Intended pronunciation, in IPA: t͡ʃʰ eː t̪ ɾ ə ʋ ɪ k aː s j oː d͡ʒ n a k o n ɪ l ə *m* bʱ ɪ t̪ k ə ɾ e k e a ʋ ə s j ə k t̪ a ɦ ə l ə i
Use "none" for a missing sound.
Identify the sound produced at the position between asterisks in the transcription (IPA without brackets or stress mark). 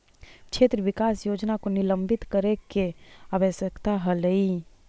m